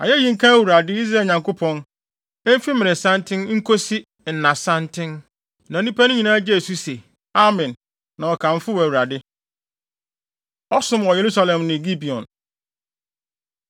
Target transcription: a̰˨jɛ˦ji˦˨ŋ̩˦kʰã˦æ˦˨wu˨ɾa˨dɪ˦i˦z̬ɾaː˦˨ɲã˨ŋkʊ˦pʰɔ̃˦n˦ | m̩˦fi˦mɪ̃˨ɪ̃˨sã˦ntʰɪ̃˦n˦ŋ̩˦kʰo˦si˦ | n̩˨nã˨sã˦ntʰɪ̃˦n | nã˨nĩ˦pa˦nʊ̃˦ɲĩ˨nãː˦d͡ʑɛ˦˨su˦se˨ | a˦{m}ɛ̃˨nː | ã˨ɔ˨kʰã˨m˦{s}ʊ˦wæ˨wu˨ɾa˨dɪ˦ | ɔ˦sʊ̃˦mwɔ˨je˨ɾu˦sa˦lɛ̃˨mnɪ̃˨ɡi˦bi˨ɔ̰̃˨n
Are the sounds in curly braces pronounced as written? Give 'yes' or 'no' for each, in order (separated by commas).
yes, no